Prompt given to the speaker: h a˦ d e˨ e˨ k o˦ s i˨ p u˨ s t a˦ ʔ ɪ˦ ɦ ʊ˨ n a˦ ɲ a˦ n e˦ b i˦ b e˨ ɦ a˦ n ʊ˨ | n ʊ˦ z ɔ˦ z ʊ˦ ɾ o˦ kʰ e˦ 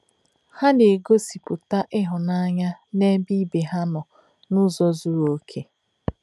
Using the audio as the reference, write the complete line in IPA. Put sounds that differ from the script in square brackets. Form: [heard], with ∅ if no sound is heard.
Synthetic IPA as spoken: h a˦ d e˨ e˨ [ɡ] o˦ s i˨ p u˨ [∅] t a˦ ʔ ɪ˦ ɦ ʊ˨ n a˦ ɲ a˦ n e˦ b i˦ b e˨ ɦ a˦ n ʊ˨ | n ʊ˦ z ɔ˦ z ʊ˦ ɾ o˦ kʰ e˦